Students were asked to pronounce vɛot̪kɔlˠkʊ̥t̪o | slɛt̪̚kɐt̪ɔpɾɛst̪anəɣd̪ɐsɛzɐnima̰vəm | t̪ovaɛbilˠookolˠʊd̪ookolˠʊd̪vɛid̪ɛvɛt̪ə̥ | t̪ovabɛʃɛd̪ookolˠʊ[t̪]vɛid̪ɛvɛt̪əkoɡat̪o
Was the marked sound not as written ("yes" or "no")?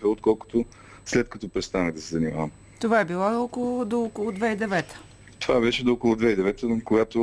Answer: yes